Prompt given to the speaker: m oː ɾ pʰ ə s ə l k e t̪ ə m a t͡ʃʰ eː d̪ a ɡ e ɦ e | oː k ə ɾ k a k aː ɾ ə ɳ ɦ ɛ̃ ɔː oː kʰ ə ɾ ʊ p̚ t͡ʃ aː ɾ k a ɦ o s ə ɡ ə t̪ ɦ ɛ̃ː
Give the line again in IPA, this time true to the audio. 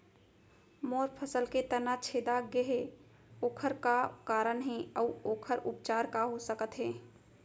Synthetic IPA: m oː ɾ pʰ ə s ə l k e t̪ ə n a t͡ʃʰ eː d̪ a ɡ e ɦ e | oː kʰ ə ɾ k a k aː ɾ ə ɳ ɦ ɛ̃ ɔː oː kʰ ə ɾ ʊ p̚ t͡ʃ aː ɾ k a ɦ o s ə k ə t̪ ɦ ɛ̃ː

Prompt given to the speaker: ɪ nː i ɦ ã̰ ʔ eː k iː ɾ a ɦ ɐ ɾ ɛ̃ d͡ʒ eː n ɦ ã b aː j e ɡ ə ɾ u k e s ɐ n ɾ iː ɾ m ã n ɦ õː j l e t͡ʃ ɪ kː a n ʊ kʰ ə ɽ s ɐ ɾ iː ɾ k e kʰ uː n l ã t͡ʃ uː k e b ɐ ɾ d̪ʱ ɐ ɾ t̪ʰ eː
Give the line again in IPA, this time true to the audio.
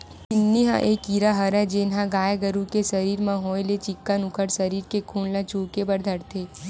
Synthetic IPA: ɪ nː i ɦ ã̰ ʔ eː k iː ɾ a ɦ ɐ ɾ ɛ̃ d͡ʒ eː n ɦ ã ɡ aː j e ɡ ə ɾ u k e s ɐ ɾ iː ɾ m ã ɦ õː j l e t͡ʃ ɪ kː a n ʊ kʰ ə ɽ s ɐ ɾ iː ɾ k e kʰ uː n l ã t͡ʃ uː k e b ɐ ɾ d̪ʱ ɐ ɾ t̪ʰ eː

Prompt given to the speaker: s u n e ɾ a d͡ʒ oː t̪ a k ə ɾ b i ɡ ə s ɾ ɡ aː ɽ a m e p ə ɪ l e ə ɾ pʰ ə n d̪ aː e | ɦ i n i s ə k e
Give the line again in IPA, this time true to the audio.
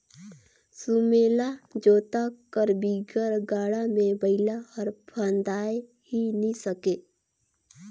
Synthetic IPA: s u m e l a d͡ʒ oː t̪ a k ə ɾ b i ɡ ə ɾ ɡ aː ɽ a m e b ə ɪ l a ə ɾ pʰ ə n d̪ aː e | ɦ i n i s ə k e

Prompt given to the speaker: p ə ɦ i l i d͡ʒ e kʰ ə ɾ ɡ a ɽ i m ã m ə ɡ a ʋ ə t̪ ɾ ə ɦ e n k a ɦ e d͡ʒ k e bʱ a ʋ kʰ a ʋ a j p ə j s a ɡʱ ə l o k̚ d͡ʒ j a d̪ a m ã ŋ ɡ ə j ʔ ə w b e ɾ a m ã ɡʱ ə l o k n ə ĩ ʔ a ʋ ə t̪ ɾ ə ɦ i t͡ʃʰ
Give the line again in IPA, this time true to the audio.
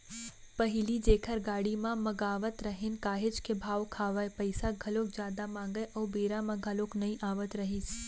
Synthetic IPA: p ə ɦ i l i d͡ʒ e kʰ ə ɾ ɡ a ɽ i m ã m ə ɡ a ʋ ə t̪ ɾ ə ɦ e n k a ɦ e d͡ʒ k e bʱ a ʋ kʰ a ʋ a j p ə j s a ɡʱ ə l o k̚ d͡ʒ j a d̪ a m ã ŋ ɡ ə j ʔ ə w b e ɾ a m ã ɡʱ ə l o k n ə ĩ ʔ a ʋ ə t̪ ɾ ə ɦ i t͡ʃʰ

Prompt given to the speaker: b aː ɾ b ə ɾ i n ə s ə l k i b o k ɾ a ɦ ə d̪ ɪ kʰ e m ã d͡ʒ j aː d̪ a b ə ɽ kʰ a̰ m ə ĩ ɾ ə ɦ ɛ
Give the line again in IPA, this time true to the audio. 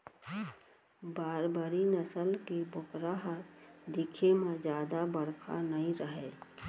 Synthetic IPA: b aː ɾ b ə ɾ i n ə s ə l k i b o k ɾ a ɦ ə d̪ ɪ kʰ e m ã d͡ʒ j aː d̪ a b ə ɽ kʰ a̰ n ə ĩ ɾ ə ɦ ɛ

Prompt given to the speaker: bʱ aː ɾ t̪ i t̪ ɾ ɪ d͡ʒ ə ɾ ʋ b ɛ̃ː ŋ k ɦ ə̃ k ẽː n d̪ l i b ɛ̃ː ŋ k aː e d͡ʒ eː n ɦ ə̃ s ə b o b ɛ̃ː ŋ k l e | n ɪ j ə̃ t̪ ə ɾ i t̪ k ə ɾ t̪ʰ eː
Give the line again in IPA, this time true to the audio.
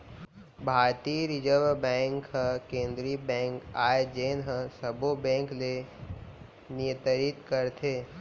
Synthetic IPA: bʱ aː ɾ t̪ i ɾ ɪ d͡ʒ ə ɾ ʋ b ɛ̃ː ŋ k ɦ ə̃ k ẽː n d̪ ɾ i b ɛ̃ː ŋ k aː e d͡ʒ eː n ɦ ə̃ s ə b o b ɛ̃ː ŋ k l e | n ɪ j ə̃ t̪ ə ɾ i t̪ k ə ɾ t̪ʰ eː

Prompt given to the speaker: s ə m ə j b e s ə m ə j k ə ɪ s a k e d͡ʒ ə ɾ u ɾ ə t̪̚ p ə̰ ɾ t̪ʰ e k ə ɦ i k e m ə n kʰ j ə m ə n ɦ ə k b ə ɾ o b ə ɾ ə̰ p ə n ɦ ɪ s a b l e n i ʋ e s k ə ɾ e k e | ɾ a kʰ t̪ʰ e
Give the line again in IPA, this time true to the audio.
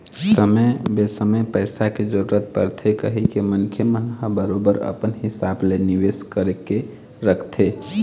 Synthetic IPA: s ə m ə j b e s ə m ə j p ə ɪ s a k e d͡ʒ ə ɾ u ɾ ə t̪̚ p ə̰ ɾ t̪ʰ e k ə ɦ i k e m ə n kʰ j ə m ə n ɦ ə b ə ɾ o b ə ɾ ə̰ p ə n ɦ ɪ s a b l e n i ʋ e s k ə ɾ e k e | ɾ ə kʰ t̪ʰ e

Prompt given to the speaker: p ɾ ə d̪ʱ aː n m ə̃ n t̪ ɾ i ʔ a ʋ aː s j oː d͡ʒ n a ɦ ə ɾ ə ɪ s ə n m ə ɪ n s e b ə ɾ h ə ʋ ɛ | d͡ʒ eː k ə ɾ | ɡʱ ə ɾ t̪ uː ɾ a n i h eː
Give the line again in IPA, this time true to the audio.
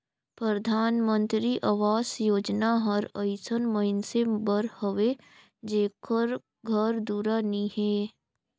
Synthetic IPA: p ɾ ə d̪ʱ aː n m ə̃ n t̪ ɾ i ʔ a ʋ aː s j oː d͡ʒ n a ɦ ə ɾ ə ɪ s ə n m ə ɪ n s e b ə ɾ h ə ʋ e | d͡ʒ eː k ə ɾ | ɡʱ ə ɾ d̪ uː ɾ a n i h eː

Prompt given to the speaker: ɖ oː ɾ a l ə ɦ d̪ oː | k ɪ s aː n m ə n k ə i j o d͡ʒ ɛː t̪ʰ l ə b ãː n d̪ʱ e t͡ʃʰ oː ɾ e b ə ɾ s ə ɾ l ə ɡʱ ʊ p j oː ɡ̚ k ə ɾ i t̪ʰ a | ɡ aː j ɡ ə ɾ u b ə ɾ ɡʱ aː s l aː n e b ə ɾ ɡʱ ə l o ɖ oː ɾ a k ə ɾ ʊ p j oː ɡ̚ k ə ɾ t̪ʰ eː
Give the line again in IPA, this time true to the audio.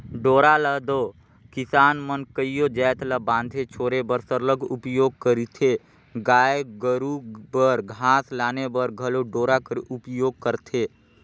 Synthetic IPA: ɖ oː ɾ a l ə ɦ d̪ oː | k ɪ s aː n m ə n k ə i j o d͡ʒ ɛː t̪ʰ l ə b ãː n d̪ʱ e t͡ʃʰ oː ɾ e b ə ɾ s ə ɾ l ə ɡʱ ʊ p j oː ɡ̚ k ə ɾ i t̪ʰ e | ɡ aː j ɡ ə ɾ u b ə ɾ ɡʱ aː s l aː n e b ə ɾ ɡʱ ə l o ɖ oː ɾ a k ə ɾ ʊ p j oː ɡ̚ k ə ɾ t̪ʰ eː

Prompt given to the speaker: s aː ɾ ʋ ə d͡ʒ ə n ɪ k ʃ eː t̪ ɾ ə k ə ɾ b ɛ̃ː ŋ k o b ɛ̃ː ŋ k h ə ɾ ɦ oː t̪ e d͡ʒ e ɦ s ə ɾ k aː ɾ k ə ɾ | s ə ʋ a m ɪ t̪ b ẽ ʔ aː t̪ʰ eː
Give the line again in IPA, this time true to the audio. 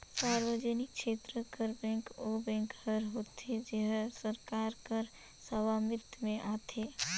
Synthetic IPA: s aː ɾ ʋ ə d͡ʒ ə n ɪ k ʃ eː t̪ ɾ ə k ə ɾ b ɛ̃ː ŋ k o b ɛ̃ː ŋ k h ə ɾ ɦ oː t̪ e d͡ʒ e ɦ s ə ɾ k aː ɾ k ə ɾ | s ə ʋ a m ɪ t̪ m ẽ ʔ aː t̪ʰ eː

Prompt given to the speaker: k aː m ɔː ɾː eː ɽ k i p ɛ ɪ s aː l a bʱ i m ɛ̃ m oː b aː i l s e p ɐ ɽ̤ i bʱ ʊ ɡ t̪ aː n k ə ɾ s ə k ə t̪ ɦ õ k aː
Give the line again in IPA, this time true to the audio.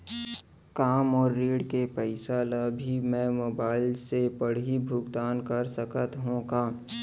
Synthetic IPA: k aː m ɔː ɾː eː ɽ k e p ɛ ɪ s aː l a bʱ i m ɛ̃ m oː b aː ɪ l s e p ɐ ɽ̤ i bʱ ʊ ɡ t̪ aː n k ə ɾ s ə k ə t̪ ɦ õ k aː

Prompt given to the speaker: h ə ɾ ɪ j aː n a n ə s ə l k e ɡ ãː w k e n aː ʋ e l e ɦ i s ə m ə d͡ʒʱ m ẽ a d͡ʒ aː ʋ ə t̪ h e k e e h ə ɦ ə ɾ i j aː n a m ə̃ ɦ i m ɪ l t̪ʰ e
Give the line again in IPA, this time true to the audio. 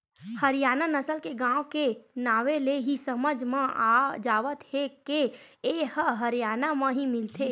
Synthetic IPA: h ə ɾ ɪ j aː n a n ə s ə l k e ɡ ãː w k e n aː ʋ e l e ɦ i s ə m ə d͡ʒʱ m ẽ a d͡ʒ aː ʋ ə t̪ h e k e e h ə ɦ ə ɾ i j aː n a m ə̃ ɦ i m ɪ l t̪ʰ e

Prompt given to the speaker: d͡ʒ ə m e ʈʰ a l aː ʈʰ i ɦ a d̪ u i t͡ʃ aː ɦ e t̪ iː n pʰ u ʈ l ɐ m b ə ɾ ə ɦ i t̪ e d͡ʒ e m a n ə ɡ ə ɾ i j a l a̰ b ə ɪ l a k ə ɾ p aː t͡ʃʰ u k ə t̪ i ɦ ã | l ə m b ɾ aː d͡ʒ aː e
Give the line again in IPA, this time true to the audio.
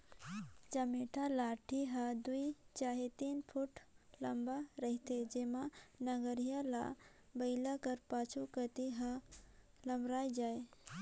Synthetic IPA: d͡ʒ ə m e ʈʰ a l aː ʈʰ i ɦ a d̪ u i t͡ʃ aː ɦ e t̪ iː n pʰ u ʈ l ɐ m b a ɾ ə ɦ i t̪ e d͡ʒ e m a n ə ɡ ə ɾ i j a l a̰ b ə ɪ l a k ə ɾ p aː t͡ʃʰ u k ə t̪ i ɦ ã | l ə m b ɾ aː d͡ʒ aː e

